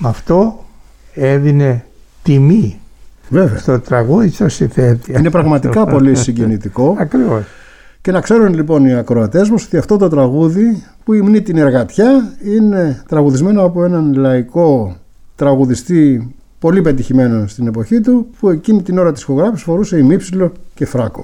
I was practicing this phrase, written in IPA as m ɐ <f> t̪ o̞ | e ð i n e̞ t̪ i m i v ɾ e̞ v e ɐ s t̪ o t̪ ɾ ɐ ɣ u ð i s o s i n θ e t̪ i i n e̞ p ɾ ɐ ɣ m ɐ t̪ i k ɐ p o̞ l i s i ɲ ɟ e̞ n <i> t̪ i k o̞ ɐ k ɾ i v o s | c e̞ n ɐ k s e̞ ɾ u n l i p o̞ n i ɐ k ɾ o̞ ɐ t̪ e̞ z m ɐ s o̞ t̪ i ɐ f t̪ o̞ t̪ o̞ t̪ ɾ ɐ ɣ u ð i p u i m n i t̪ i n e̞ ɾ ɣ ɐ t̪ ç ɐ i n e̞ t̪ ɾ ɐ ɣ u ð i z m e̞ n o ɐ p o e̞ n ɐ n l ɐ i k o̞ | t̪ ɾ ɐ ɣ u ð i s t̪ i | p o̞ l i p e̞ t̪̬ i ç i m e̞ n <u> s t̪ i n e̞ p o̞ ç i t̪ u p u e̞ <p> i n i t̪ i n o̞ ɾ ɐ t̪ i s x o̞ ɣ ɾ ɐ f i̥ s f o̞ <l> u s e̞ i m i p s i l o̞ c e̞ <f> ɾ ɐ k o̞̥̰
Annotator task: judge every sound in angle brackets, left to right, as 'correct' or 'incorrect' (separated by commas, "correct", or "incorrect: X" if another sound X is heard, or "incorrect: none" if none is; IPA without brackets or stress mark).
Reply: correct, correct, incorrect: o, incorrect: c, incorrect: ɾ, correct